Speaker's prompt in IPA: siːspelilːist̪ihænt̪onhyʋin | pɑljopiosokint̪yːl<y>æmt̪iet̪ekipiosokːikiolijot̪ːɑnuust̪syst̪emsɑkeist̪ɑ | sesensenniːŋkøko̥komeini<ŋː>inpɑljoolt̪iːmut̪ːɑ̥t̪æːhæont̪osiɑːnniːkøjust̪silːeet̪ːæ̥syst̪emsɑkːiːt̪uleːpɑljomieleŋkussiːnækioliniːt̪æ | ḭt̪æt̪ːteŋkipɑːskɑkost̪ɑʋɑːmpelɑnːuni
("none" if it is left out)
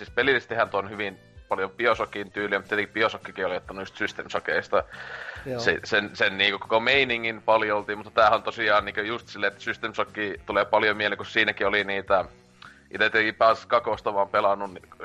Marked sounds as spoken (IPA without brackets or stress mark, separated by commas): i, ŋː